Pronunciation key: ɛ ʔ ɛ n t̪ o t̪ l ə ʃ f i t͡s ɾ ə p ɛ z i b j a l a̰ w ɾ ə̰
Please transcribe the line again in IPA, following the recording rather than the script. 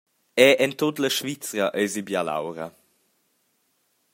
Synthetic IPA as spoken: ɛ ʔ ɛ n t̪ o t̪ l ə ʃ v i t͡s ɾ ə ʔ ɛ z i b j a l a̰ w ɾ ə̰